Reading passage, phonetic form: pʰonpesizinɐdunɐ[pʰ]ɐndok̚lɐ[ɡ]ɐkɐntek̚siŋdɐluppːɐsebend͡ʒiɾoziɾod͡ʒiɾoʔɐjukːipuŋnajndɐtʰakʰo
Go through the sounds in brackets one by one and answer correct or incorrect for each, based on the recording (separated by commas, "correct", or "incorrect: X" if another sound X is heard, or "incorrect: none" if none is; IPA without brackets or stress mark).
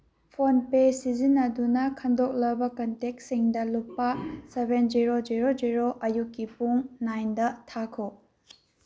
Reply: incorrect: kʰ, incorrect: b